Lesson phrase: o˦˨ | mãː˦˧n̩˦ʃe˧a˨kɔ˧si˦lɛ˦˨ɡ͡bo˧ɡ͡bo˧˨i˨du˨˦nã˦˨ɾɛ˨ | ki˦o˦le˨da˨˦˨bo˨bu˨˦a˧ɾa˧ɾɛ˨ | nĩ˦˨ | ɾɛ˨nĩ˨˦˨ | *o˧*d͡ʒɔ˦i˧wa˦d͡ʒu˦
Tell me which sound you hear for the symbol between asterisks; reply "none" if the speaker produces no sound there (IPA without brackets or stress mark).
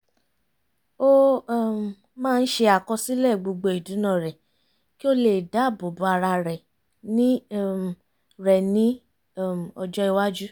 ɔ˧